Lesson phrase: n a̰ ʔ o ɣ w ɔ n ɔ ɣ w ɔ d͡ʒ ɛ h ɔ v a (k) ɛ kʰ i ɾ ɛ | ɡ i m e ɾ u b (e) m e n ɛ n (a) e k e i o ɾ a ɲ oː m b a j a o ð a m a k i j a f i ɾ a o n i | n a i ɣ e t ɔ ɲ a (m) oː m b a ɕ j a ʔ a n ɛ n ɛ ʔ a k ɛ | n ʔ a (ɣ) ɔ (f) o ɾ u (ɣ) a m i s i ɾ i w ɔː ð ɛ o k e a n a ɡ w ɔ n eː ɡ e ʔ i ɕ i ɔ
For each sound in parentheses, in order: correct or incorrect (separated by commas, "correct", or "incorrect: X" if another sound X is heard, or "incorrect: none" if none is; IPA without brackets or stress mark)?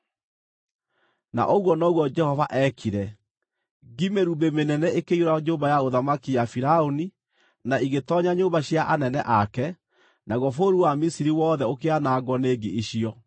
incorrect: ʔ, correct, incorrect: ɛ, incorrect: ɲ, correct, correct, incorrect: w